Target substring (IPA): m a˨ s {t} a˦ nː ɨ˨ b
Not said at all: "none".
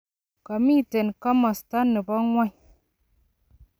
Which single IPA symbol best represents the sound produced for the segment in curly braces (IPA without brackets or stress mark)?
t